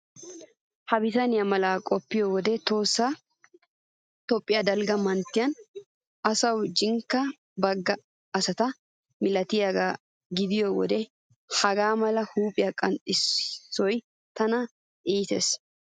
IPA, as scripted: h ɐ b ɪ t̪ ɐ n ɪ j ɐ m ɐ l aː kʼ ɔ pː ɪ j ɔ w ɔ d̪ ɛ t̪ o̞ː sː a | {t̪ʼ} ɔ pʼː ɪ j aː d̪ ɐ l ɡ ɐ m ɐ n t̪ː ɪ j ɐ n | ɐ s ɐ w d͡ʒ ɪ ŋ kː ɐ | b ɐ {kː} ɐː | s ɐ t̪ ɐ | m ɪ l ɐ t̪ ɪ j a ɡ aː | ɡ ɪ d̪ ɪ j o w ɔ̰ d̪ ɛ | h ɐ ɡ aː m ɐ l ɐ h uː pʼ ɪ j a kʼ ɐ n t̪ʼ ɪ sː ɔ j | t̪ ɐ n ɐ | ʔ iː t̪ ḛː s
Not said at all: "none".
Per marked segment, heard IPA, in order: t̪, ɡː

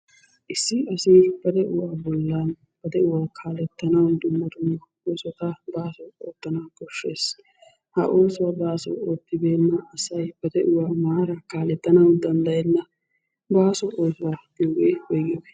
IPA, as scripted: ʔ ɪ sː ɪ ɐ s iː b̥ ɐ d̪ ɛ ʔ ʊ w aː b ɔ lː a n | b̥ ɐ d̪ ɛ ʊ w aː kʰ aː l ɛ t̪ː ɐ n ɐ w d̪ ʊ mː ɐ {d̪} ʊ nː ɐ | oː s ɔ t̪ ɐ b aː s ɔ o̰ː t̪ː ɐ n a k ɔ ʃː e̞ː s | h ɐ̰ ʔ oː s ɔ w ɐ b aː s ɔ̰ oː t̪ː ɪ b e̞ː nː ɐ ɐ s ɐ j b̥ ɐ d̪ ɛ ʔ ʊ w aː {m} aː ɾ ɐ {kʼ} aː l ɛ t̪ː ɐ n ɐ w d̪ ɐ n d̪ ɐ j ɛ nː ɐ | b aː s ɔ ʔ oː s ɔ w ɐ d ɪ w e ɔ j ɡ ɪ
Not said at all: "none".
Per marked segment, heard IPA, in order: t̪, m, k

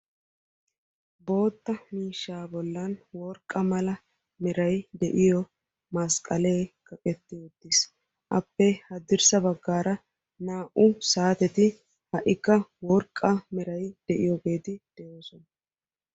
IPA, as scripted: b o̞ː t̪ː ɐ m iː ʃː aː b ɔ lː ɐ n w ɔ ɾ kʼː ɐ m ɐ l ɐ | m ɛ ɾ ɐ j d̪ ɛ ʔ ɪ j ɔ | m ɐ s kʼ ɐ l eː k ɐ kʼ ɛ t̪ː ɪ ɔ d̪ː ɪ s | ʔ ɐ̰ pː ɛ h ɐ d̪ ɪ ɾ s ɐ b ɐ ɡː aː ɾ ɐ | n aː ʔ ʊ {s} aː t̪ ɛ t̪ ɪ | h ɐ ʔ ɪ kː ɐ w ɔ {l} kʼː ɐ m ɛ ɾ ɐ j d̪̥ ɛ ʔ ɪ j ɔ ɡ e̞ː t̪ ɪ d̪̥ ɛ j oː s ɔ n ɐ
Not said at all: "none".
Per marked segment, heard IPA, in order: s, ɾ

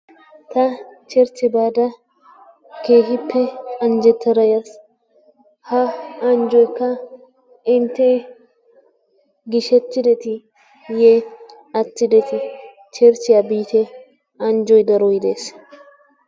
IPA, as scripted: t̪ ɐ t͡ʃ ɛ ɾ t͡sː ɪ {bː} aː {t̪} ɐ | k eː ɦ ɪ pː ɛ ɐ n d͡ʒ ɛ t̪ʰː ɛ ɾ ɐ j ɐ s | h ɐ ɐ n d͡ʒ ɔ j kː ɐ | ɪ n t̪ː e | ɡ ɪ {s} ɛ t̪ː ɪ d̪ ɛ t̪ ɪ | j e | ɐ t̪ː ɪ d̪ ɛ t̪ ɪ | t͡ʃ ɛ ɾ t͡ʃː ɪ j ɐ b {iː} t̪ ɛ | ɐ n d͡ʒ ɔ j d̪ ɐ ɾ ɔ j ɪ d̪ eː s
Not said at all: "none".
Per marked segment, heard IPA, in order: b, d̪, ʃ, iː

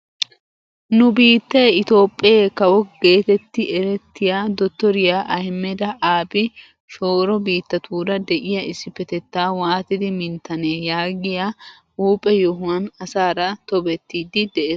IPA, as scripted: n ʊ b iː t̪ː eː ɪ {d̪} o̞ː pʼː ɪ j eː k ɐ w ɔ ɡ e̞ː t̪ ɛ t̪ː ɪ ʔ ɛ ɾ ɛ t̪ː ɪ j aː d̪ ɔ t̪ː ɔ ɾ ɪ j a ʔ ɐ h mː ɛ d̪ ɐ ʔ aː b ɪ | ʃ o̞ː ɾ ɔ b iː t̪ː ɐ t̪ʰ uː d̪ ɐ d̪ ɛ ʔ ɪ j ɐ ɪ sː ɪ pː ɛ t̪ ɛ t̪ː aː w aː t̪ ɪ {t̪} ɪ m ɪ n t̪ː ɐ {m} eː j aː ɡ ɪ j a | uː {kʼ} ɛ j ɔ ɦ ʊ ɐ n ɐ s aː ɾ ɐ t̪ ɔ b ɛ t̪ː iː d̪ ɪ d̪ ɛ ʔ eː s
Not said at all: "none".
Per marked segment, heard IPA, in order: t̪, d̪, n, pʼ

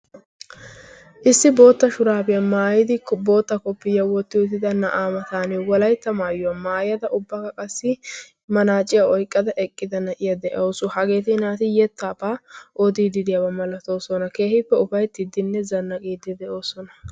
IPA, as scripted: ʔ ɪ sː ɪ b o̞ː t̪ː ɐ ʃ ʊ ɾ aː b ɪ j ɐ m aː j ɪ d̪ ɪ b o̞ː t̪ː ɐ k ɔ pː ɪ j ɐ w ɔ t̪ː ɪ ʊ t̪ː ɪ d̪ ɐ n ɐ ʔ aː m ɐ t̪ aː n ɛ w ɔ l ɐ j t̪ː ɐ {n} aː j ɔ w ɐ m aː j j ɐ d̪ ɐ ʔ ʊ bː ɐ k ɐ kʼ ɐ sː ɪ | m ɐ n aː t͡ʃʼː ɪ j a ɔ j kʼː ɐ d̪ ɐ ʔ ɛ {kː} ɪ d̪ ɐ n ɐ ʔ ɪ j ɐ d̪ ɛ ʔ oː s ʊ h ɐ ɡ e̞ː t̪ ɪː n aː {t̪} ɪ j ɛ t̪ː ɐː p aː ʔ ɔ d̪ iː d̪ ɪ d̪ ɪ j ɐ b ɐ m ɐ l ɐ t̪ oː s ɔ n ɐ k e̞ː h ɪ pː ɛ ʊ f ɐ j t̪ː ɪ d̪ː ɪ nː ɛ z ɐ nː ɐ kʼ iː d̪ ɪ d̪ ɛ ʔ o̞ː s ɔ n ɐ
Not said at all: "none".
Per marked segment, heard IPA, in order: m, kʼː, t̪

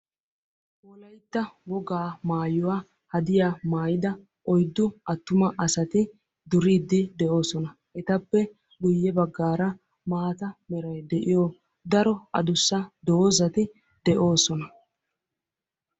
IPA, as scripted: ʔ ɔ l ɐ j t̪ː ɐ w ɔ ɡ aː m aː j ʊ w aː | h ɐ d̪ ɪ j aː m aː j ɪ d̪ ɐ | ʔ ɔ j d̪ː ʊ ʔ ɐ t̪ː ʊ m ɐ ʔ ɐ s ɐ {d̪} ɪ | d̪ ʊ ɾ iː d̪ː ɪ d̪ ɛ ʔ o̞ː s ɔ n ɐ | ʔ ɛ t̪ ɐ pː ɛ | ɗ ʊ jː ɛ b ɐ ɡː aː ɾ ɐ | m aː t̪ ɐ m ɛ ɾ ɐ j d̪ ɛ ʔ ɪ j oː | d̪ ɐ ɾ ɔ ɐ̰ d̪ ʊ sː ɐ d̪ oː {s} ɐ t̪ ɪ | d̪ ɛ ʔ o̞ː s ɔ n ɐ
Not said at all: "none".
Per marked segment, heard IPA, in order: t̪, z

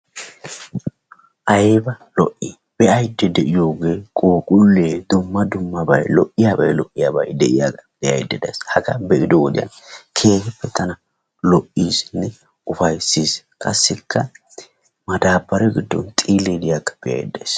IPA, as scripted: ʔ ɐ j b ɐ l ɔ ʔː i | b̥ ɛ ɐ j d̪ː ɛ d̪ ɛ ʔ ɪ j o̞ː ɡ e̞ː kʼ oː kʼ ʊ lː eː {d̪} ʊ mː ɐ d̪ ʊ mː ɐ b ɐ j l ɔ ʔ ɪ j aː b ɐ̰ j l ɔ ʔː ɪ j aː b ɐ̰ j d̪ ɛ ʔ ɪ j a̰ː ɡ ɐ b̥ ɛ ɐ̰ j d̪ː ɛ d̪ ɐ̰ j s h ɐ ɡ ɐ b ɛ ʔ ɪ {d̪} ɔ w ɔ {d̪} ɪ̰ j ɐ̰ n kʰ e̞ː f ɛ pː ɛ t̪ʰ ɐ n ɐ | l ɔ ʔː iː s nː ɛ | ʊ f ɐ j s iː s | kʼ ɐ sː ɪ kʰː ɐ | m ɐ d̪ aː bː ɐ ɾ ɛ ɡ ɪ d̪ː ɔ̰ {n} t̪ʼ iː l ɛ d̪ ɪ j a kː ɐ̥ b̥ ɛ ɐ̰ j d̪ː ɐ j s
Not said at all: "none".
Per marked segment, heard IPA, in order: d̪, d̪, d̪, n

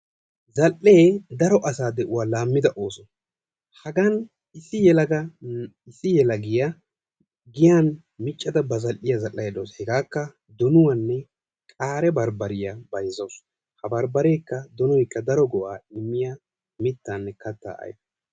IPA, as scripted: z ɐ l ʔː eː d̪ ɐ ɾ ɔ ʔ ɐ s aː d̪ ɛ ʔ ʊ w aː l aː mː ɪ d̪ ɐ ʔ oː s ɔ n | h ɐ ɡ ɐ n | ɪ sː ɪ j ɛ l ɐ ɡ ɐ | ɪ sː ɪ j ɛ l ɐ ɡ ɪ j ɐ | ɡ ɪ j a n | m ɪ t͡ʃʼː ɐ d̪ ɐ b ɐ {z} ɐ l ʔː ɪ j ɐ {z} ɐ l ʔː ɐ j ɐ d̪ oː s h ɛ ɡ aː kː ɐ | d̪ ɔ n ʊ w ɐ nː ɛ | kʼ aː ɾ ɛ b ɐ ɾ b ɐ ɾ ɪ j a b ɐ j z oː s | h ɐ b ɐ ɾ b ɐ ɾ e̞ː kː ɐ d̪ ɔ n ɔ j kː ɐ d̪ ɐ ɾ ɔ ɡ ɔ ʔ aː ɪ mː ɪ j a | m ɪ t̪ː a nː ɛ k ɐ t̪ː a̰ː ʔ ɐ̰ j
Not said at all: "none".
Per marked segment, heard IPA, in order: z, z

